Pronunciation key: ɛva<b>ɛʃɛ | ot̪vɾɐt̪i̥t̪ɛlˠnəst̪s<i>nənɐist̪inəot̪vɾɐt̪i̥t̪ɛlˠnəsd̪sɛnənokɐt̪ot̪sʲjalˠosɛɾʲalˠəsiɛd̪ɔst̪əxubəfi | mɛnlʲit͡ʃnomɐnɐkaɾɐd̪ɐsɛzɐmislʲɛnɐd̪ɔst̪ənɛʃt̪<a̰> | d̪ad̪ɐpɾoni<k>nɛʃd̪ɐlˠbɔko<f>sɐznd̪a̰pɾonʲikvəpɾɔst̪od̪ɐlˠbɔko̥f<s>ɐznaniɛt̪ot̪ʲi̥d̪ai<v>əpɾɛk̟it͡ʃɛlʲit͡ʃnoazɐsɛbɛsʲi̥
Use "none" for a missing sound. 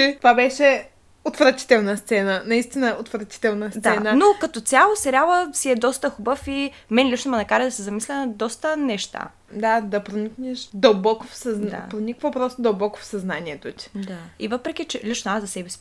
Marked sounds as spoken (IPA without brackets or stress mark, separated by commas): b, ɛ, a̰, k, f, s, v